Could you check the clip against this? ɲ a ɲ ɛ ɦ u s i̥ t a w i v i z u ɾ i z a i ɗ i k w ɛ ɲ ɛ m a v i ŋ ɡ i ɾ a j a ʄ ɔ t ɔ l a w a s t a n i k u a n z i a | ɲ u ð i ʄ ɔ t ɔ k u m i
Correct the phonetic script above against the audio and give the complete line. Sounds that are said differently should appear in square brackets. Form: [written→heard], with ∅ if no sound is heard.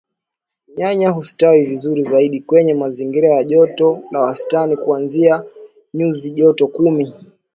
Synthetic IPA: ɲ a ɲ [ɛ→a] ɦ u s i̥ t a w i v i z u ɾ i z a i ɗ i k w ɛ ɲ ɛ m a [v→z] i ŋ ɡ i ɾ a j a ʄ ɔ t ɔ l a w a s t a n i k u a n z i a | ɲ u [ð→z] i ʄ ɔ t ɔ k u m i